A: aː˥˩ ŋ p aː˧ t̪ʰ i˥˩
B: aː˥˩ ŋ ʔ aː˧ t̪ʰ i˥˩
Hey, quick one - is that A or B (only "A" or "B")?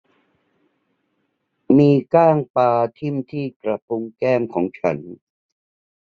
A